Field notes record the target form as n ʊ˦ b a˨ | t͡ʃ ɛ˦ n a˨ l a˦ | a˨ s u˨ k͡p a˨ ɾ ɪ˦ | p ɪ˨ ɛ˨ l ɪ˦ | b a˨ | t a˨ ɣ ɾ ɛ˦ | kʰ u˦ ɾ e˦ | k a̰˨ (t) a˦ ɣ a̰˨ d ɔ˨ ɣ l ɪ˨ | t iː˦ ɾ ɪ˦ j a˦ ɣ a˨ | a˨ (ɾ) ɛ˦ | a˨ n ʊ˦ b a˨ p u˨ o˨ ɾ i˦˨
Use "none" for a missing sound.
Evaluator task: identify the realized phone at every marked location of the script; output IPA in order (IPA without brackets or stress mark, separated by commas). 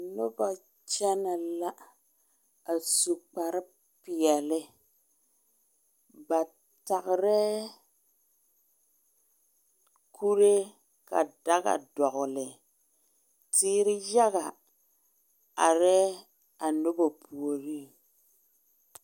d, ɾ